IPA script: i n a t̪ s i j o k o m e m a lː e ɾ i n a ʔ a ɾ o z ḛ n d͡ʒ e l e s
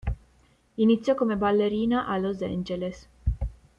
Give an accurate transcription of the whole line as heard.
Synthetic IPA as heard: i n i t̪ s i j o k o m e b a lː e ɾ i n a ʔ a l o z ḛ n d͡ʒ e l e s